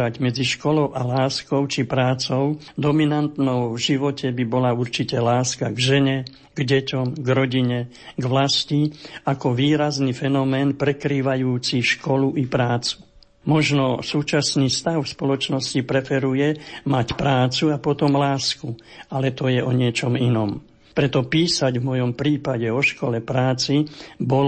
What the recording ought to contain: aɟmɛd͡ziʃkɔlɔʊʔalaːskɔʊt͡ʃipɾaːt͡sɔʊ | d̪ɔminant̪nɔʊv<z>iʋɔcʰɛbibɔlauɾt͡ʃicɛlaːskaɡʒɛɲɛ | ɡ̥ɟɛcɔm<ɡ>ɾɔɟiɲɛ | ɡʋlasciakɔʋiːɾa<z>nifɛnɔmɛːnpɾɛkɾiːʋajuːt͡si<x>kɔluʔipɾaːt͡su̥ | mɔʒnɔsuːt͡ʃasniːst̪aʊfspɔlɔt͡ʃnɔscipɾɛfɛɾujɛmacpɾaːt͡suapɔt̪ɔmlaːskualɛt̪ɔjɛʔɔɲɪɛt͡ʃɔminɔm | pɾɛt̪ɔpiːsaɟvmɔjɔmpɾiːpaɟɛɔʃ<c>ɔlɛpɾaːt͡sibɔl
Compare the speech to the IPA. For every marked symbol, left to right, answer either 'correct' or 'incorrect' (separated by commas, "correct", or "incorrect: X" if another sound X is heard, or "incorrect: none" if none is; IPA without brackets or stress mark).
incorrect: ʒ, correct, correct, incorrect: ʃ, incorrect: k